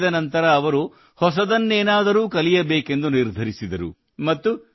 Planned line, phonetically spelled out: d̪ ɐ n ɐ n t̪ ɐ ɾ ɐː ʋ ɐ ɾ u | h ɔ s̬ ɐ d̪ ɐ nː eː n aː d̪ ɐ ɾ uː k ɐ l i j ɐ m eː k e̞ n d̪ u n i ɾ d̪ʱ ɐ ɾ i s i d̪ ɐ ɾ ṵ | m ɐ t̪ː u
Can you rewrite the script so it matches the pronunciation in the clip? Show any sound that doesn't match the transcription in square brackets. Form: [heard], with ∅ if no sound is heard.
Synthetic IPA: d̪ ɐ n ɐ n t̪ ɐ ɾ ɐː ʋ ɐ ɾ u | h ɔ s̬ ɐ d̪ ɐ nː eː n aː d̪ ɐ ɾ uː k ɐ l i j ɐ [b] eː k e̞ n d̪ u n i ɾ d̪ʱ ɐ ɾ i s i d̪ ɐ ɾ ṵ | m ɐ t̪ː u